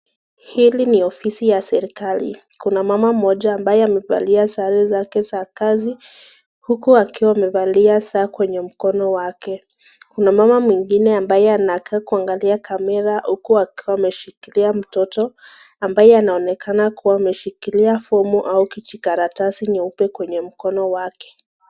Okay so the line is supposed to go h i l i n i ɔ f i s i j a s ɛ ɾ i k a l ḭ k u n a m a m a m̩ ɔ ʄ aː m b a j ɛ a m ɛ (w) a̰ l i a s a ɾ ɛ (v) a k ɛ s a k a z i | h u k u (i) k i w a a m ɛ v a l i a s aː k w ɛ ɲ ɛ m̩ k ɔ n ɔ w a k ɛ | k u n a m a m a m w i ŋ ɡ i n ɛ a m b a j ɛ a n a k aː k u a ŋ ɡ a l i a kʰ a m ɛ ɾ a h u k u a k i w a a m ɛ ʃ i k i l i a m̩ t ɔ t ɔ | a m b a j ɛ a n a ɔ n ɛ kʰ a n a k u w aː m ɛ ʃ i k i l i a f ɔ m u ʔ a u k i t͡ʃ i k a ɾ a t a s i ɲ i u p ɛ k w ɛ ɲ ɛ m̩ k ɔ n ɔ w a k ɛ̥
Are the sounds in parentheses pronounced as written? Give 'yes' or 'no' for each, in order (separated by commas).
no, no, no